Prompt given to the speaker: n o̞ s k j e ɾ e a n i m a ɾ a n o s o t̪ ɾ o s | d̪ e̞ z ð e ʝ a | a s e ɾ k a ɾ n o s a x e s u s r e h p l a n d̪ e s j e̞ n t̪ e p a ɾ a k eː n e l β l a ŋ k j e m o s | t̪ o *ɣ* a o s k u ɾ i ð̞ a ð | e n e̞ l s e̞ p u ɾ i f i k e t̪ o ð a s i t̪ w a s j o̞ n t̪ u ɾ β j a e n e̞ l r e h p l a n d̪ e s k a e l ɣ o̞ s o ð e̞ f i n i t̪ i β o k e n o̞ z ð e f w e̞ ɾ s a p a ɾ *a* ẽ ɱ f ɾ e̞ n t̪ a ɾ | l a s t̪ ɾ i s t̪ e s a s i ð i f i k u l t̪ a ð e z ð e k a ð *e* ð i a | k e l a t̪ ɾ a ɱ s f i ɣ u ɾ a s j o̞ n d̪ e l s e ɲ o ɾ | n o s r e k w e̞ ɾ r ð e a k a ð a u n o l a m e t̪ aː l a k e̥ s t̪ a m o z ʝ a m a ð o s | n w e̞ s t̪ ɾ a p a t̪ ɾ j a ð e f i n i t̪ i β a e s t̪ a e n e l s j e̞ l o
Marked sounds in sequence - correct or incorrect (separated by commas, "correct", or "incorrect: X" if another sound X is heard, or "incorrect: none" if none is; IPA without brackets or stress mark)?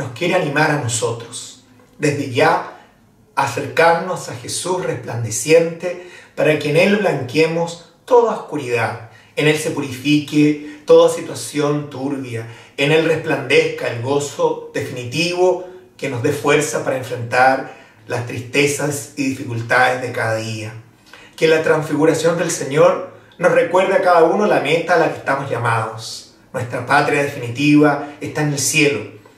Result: incorrect: ð, correct, incorrect: a